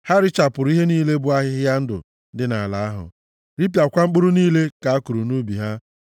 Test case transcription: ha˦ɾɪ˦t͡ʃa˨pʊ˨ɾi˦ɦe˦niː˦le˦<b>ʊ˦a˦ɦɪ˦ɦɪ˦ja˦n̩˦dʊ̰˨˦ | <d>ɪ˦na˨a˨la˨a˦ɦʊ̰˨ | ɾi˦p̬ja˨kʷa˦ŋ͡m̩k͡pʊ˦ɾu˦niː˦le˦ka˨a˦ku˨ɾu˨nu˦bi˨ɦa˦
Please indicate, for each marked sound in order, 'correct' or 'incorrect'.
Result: correct, correct

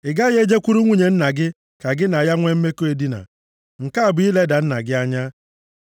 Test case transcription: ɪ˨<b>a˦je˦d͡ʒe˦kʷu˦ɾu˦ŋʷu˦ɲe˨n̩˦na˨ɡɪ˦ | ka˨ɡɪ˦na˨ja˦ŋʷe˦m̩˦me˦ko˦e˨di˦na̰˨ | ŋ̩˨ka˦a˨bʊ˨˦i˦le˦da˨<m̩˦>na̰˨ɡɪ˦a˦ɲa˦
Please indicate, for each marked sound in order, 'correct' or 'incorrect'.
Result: incorrect: ɡ, incorrect: n̩˦

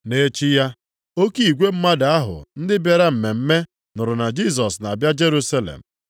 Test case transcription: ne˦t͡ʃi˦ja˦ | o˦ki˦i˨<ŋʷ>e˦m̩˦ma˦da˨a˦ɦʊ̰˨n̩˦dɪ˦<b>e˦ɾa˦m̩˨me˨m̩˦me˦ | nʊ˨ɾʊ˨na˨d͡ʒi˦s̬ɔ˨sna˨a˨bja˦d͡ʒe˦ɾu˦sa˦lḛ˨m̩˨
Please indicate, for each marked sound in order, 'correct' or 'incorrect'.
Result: incorrect: ɡʷ, correct

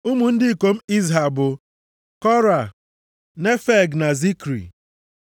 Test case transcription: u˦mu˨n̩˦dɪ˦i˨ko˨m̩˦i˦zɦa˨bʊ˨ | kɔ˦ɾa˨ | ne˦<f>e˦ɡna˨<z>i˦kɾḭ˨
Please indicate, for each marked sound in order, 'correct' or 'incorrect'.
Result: correct, correct

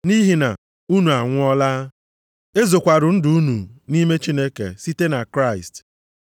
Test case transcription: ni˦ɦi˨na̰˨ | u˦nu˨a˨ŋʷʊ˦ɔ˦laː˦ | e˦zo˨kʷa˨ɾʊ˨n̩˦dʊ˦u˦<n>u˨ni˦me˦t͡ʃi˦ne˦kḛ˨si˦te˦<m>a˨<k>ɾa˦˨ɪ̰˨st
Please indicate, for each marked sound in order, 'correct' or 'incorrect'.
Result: correct, incorrect: n, correct

